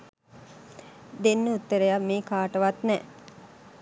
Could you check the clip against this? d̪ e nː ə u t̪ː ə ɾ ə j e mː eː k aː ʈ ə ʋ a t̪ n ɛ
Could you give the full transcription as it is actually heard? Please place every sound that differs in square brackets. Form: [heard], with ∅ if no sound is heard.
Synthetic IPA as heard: d̪ e nː ə u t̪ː ə ɾ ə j [a] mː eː k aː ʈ ə ʋ a t̪ n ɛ